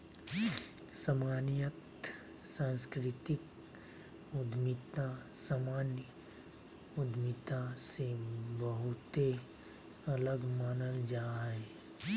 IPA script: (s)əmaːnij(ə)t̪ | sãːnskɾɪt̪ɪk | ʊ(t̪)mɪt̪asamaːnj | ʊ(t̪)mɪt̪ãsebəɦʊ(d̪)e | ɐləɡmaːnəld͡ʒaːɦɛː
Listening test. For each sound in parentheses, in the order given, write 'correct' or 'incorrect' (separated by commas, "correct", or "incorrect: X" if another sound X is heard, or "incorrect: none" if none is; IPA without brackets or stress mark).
correct, correct, incorrect: d̪, incorrect: d̪, incorrect: t̪